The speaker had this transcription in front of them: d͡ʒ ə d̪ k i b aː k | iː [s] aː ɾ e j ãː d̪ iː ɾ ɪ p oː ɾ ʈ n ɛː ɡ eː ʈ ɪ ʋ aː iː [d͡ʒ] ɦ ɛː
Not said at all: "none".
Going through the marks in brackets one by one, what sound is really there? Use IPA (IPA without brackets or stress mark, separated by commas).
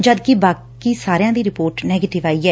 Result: s, none